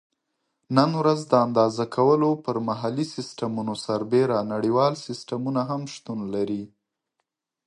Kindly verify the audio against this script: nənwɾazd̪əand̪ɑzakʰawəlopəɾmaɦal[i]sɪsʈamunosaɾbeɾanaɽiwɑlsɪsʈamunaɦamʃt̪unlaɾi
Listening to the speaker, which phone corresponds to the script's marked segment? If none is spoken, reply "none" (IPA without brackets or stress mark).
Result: i